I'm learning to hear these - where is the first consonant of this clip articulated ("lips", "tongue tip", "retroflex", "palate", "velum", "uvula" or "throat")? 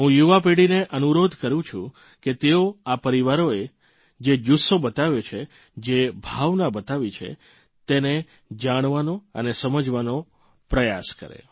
throat